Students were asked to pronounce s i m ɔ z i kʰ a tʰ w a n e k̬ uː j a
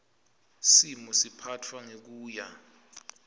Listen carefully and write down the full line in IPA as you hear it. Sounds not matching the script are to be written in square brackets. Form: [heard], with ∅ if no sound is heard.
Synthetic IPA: s i m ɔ [s] i [pʰ] a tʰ w a [ŋ] e k̬ uː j a